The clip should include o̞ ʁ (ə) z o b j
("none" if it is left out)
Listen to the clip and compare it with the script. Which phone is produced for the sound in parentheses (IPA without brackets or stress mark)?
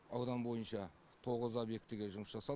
ə